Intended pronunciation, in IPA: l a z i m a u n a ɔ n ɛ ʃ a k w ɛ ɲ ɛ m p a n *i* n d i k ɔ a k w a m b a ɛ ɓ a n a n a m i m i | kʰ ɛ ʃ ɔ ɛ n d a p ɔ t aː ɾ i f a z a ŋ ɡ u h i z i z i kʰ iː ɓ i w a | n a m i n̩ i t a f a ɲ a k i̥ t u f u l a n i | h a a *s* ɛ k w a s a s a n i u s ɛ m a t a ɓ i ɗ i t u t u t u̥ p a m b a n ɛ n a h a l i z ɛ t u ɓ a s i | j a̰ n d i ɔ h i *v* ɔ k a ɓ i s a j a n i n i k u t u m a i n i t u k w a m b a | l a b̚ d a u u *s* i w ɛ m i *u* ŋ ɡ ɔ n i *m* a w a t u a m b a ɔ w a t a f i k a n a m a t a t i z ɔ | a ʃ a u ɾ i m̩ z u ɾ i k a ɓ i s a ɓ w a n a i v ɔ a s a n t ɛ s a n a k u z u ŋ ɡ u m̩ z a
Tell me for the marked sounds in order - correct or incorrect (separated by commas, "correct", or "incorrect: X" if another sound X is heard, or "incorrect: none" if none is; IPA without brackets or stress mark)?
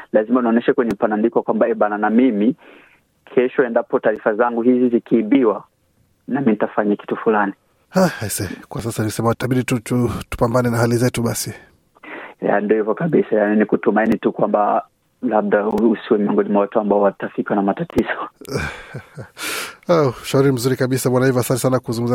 incorrect: a, correct, correct, correct, incorrect: ɔ, correct